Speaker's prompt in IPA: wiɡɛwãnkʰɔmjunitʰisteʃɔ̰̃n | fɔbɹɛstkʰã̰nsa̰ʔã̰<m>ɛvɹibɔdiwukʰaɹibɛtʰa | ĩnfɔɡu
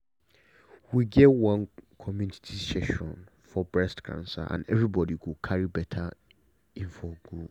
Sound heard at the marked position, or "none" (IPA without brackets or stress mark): n